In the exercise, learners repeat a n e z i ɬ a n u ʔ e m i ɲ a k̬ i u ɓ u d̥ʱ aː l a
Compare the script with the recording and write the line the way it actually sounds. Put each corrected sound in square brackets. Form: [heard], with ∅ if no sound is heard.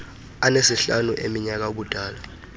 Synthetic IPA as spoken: a n e [s] i ɬ a n u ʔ e m i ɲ a k̬ [a] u ɓ u d̥ʱ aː l a